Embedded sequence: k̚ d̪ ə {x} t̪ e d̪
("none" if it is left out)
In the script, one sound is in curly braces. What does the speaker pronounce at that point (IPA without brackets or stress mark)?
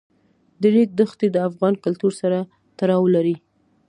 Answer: x